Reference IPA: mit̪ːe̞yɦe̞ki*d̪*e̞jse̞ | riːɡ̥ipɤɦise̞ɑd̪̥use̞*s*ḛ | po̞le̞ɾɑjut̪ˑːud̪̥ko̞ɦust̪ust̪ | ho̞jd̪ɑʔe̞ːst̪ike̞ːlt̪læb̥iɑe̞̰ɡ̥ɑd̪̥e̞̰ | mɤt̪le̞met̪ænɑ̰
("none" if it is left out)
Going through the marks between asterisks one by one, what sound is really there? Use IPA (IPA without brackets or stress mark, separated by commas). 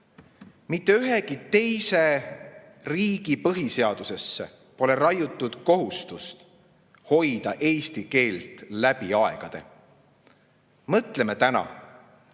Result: t̪, sː